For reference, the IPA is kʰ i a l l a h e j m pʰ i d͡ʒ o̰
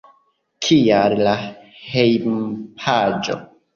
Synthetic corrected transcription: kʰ i a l l a h e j m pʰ a d͡ʒ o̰